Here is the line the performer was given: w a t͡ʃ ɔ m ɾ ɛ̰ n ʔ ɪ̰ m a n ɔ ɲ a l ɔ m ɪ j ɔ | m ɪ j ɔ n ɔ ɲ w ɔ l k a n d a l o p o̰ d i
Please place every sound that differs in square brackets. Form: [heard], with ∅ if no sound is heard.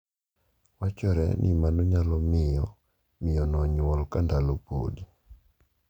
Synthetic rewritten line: w a t͡ʃ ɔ [∅] ɾ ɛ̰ n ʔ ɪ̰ m a n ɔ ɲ a l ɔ m ɪ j ɔ | m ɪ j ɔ n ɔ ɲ w ɔ l k a n d a l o p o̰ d i